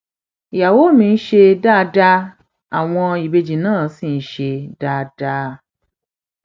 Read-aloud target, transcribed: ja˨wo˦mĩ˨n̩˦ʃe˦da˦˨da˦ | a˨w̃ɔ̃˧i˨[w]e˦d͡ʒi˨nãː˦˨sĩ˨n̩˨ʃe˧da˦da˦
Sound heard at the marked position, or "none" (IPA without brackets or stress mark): b